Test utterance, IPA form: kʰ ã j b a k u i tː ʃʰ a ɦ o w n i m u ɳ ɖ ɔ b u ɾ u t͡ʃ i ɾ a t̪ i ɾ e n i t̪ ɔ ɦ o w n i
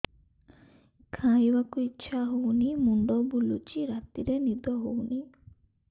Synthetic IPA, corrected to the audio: kʰ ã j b a k u i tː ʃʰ a ɦ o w n i m u ɳ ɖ ɔ b u l u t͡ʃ i ɾ a t̪ i ɾ e n i d̪ ɔ ɦ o w n i